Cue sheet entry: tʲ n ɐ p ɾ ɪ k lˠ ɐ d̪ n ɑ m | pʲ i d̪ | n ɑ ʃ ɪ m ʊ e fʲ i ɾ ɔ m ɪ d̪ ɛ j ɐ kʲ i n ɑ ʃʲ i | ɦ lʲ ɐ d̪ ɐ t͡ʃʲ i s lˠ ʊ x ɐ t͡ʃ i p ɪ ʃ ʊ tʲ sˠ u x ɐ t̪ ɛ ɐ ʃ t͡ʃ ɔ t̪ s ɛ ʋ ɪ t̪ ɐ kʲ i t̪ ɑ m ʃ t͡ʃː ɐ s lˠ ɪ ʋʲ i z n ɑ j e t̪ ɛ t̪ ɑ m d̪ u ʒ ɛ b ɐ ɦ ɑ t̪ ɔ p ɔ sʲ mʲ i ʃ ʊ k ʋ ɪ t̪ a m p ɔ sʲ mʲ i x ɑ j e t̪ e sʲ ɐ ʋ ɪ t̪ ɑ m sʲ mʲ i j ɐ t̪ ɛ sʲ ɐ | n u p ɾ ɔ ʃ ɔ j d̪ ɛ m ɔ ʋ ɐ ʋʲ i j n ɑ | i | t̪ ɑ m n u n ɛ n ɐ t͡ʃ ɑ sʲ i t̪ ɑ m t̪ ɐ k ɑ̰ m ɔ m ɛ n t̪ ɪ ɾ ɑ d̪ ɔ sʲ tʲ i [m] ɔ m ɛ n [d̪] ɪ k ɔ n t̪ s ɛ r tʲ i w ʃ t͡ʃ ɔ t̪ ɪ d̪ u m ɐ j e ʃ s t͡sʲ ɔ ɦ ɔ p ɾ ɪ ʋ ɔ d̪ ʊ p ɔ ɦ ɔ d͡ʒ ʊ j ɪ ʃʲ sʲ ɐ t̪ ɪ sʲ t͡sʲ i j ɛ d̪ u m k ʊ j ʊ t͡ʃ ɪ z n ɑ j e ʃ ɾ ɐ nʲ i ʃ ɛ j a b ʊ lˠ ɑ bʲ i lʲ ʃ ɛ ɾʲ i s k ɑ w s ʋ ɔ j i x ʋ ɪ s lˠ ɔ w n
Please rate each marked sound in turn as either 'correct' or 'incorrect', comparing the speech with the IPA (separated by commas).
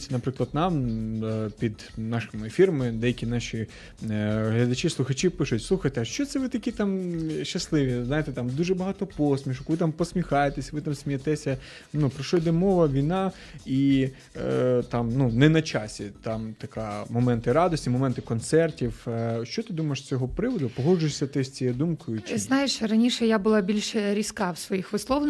correct, incorrect